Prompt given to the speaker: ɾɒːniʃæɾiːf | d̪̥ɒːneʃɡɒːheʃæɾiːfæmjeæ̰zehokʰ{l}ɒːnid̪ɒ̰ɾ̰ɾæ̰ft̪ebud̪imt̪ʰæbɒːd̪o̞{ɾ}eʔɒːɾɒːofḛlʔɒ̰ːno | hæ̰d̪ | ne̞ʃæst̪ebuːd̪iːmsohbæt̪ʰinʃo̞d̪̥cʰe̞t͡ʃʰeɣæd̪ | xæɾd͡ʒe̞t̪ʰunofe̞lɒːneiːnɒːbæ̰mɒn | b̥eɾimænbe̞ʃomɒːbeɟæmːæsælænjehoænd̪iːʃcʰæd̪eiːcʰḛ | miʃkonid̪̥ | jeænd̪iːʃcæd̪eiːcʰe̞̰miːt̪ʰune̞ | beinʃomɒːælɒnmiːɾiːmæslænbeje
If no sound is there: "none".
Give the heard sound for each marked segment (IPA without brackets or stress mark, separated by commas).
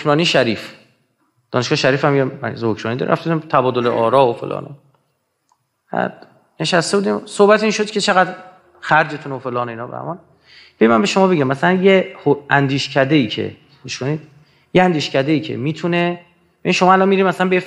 ɾ, l